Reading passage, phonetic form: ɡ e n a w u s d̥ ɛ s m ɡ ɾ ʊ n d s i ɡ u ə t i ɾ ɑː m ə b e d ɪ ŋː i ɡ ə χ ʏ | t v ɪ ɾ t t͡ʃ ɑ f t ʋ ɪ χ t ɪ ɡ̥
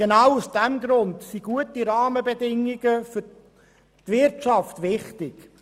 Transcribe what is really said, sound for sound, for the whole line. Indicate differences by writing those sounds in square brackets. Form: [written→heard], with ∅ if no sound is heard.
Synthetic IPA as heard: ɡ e n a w u s d̥ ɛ [s→∅] m ɡ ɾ ʊ n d s i ɡ u ə t i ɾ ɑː m ə b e d ɪ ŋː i ɡ ə [χ→f] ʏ | t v ɪ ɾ t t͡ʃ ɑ f t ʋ ɪ χ t ɪ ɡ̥

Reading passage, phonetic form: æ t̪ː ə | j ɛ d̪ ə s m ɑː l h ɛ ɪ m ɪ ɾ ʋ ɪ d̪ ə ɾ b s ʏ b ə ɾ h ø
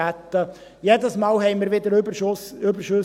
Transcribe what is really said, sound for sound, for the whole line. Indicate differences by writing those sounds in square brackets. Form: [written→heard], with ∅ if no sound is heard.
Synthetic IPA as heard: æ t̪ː ə | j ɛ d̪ ə s m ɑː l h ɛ ɪ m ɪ ɾ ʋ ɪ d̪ ə ɾ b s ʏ b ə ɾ [h→ʃ] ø

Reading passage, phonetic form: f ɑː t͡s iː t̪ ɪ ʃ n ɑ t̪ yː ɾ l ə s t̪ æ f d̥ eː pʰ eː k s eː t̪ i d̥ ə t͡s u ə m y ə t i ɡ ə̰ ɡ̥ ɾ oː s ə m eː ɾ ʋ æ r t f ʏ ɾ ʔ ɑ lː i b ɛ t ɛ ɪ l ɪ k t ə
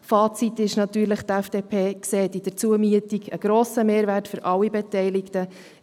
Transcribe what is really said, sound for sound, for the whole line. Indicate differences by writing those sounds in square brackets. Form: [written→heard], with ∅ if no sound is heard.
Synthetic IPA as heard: f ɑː t͡s [iː→i] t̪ ɪ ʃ n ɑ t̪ yː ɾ l ə [s→χ] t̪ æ f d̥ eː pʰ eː k s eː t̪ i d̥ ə t͡s u ə m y ə t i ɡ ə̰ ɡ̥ ɾ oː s ə m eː ɾ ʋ æ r t f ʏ ɾ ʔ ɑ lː i b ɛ t ɛ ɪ l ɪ k t ə

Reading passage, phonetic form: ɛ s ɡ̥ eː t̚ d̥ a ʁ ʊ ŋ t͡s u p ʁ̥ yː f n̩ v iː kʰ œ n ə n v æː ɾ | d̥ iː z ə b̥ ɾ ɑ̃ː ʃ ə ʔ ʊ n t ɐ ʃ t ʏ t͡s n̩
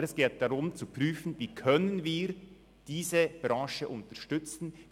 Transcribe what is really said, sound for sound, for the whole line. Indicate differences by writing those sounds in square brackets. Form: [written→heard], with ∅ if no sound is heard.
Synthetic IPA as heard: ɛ s ɡ̥ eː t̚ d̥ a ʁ ʊ [ŋ→m] t͡s u p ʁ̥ yː f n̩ v iː kʰ œ n ə n v [æː→iː] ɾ | d̥ iː z ə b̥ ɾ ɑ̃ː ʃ ə ʔ ʊ n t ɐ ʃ t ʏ t͡s n̩

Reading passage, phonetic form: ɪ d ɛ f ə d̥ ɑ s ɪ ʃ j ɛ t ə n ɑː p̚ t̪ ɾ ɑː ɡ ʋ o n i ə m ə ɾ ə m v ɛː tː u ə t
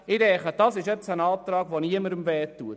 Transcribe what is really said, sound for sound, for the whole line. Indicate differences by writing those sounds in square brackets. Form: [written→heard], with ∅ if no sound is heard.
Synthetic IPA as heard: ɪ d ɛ [f→χ] ə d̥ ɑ s ɪ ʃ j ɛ [t→t͡s] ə n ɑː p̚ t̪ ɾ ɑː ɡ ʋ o n i ə m ə ɾ ə m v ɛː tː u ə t

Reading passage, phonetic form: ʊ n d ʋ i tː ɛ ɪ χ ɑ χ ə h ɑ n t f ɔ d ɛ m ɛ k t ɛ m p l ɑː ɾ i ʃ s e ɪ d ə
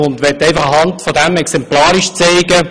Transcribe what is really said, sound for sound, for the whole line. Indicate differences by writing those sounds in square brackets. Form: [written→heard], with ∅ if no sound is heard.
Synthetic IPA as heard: ʊ n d ʋ [i→ɛ] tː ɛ ɪ [χ→f] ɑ χ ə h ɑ n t f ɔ d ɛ m ɛ k [t→s] ɛ m p l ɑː ɾ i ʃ [s→t͡s] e ɪ [d→ɡ] ə

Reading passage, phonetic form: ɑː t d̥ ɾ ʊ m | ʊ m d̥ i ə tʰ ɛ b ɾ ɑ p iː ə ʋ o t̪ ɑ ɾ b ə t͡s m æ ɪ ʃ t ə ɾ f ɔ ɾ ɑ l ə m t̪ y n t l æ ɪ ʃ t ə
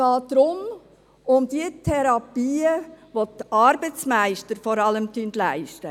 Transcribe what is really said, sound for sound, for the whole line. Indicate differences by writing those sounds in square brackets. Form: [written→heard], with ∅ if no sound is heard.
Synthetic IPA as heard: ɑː t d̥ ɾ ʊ m | ʊ m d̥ i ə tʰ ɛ [b→∅] ɾ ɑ p iː ə ʋ o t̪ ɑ ɾ b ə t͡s m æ ɪ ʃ t ə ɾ f ɔ ɾ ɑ l ə m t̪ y n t l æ ɪ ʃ t ə

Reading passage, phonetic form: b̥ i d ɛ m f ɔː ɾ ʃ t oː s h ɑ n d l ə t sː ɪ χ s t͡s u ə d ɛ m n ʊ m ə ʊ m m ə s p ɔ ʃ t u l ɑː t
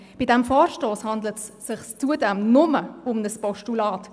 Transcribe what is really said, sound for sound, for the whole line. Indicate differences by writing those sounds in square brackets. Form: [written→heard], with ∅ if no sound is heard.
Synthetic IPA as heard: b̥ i d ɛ m f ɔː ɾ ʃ t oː s h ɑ n d l ə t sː ɪ χ s t͡s u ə d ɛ m n ʊ m ə ʊ m [m→n] ə s p ɔ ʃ t u l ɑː t

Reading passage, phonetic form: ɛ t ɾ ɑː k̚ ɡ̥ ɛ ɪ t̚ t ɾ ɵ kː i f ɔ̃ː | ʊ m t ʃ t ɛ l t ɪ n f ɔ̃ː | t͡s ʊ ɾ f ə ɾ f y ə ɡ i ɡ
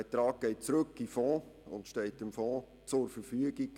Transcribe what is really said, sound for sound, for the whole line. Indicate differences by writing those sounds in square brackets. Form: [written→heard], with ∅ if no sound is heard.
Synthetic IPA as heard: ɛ t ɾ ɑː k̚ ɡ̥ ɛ ɪ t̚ [t→t͡s] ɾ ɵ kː i f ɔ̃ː | ʊ [m→n] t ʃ t ɛ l t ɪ [n→m] f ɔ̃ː | t͡s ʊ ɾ f ə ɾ f y ə ɡ i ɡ

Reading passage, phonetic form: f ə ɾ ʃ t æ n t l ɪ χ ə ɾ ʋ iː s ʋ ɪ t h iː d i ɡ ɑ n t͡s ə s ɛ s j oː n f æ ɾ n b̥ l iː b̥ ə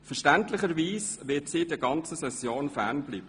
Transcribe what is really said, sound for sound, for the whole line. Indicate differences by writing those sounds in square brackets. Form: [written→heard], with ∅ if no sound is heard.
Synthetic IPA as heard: f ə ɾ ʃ t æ n t l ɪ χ ə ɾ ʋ iː s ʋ ɪ t [h→s] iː d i ɡ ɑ n t͡s ə s ɛ s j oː n f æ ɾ n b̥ l iː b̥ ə

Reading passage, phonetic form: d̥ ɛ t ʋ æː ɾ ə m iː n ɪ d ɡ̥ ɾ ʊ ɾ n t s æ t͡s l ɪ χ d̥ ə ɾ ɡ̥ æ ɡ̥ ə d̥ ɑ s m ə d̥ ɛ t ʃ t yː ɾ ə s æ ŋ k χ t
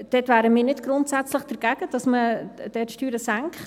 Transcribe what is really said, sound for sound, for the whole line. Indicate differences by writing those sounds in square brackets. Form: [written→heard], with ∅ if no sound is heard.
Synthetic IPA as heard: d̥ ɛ t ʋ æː ɾ ə m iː n ɪ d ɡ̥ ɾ ʊ [ɾ→∅] n t s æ t͡s l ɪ χ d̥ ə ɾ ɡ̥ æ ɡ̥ ə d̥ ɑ s m ə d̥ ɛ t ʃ t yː ɾ ə s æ ŋ k χ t

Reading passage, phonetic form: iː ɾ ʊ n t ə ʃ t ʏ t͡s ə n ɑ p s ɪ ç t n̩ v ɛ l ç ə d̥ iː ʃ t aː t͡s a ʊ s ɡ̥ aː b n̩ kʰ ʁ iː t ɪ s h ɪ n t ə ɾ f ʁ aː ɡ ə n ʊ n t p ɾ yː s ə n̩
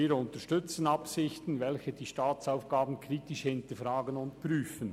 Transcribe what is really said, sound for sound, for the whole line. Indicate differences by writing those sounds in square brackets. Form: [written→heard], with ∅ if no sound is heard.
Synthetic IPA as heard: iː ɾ ʊ n t ə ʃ t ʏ t͡s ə n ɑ p s ɪ ç t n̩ v ɛ l ç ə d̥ iː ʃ t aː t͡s a ʊ [s→f] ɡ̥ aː b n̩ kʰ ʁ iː t ɪ [s→ʃ] h ɪ n t ə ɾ f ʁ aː ɡ ə n ʊ n t p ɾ yː [s→f] ə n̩

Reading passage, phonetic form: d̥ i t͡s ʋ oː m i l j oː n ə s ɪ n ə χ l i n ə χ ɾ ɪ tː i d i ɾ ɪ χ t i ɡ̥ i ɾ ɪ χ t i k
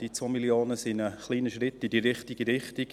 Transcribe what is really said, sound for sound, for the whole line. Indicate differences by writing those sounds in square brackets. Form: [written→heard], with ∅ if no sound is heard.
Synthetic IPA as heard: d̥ i t͡s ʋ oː m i l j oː n ə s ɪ n ə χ l [i→iː] n ə [χ→ʃ] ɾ ɪ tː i d i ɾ ɪ χ t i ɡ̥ i ɾ ɪ χ t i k

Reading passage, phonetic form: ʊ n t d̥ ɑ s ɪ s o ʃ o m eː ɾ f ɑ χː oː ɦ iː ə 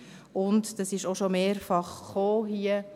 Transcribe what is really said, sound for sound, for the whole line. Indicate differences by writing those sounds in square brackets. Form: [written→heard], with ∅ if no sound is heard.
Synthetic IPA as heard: ʊ n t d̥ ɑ s ɪ [s→ʃ] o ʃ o m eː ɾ f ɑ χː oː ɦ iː ə

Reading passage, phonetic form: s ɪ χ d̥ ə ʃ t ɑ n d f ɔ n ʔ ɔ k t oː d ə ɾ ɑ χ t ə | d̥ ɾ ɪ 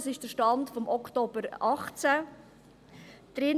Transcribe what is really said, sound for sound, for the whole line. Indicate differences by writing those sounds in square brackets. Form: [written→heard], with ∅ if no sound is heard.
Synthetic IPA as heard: s ɪ [χ→ʃ] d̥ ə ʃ t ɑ n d f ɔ [n→m] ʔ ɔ k t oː [d→b] ə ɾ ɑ χ [t→t͡s] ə | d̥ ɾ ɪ

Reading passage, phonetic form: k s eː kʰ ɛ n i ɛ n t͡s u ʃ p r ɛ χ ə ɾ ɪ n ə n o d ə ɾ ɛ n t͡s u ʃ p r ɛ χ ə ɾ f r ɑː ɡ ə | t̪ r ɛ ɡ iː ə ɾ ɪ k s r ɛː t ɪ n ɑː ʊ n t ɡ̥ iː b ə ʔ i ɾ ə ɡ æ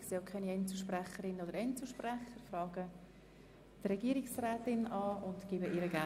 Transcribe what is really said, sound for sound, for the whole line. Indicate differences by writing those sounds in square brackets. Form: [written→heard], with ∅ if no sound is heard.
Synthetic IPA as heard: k s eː kʰ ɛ n i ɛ n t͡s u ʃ p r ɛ χ ə ɾ ɪ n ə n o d ə ɾ ɛ n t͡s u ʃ p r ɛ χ ə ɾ f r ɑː ɡ ə | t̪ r ɛ ɡ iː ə ɾ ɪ k s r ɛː t ɪ n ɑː ʊ n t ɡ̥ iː b ə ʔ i ɾ ə ɡ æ

